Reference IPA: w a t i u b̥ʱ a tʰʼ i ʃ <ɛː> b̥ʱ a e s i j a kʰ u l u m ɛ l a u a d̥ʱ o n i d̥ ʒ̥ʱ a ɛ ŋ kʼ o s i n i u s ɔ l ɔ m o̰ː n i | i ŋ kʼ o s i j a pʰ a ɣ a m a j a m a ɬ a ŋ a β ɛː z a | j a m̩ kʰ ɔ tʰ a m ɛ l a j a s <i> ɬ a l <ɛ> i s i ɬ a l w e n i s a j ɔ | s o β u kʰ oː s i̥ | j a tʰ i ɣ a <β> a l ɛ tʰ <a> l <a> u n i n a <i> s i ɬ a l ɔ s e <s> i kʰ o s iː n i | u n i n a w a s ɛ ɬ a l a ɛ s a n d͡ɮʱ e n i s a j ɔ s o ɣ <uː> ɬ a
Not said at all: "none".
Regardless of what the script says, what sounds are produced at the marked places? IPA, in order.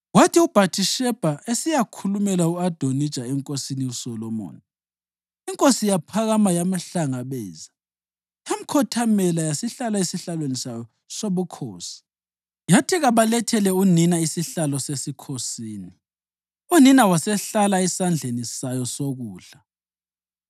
ɛ, i, a, β, ɛ, ɛ, i, s, uː

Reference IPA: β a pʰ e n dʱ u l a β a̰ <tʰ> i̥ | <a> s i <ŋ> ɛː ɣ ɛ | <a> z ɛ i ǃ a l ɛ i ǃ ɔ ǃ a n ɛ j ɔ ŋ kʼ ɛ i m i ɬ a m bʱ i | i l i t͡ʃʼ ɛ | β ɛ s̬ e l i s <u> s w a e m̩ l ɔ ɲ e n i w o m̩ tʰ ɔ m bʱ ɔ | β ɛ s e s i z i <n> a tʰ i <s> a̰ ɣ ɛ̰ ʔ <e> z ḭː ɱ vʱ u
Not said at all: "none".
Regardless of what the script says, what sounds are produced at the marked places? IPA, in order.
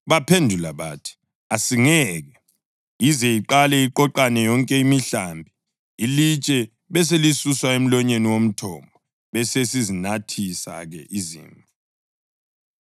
tʰ, a, ŋ, i, u, n, s, i

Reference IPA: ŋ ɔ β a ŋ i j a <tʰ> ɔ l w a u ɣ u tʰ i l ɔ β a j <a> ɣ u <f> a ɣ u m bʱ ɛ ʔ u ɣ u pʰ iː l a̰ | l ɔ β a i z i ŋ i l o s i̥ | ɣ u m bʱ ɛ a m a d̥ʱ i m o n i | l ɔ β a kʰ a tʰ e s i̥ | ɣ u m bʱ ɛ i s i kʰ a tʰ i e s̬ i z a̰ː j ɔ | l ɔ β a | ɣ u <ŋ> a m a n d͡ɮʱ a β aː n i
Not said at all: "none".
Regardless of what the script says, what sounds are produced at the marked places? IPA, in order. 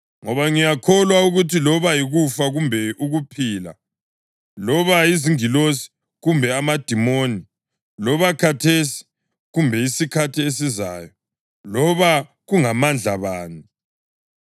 kʰ, i, f, ŋ

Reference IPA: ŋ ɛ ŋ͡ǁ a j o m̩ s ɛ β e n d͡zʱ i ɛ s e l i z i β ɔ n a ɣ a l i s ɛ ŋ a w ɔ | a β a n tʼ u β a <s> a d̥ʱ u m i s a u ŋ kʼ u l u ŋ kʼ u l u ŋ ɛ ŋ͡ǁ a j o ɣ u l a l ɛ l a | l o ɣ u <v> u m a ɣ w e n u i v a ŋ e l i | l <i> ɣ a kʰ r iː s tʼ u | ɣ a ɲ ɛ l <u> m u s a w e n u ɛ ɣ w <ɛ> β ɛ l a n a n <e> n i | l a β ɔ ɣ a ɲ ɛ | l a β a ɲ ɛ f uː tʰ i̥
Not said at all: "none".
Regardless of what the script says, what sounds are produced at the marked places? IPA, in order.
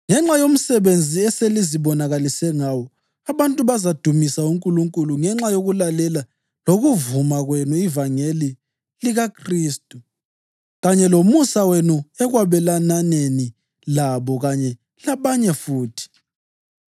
z, v, i, o, a, e

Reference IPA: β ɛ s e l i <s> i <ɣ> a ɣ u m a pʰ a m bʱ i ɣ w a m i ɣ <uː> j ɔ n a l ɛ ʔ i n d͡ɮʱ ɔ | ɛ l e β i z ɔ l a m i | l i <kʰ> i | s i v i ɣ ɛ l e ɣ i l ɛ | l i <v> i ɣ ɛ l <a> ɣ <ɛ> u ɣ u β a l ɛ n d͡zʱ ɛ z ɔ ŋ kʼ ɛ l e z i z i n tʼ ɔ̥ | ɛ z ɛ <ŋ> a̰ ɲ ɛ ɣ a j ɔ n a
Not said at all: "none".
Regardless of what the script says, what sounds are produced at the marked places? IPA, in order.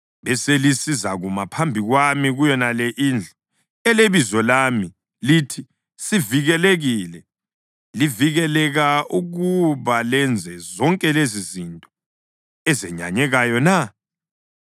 s, z, u, tʰ, v, ɛ, a, ɲ

